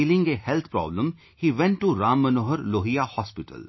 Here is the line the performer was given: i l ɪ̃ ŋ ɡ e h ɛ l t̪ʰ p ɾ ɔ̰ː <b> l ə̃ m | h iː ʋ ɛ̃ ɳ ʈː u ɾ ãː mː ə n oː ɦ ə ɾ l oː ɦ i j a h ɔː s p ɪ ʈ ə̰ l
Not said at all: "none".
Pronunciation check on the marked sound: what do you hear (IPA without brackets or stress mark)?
b